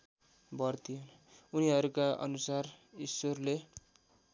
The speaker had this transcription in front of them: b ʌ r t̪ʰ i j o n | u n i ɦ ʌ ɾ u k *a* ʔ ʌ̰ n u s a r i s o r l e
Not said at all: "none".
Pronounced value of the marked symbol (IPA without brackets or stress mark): a